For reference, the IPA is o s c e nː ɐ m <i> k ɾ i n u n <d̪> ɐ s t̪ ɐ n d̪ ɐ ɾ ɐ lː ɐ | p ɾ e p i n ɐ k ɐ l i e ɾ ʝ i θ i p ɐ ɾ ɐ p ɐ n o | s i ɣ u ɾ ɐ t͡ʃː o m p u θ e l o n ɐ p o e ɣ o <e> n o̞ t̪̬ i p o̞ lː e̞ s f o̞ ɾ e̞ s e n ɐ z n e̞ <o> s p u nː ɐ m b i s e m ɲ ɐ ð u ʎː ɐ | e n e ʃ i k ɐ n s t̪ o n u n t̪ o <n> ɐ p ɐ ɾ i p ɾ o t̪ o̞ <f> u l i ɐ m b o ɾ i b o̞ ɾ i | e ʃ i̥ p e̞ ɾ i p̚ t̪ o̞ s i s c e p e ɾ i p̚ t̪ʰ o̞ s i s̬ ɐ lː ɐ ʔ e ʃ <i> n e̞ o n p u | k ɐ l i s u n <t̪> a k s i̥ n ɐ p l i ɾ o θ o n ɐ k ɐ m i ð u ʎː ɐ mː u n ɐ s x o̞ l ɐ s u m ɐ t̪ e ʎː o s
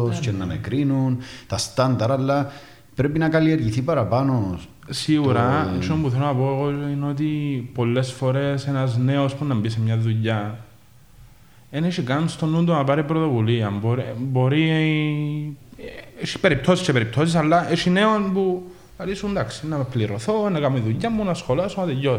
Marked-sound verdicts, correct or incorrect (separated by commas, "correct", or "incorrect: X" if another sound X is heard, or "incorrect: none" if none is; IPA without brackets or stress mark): incorrect: e, incorrect: t̪, incorrect: i, correct, correct, incorrect: v, correct, incorrect: d̪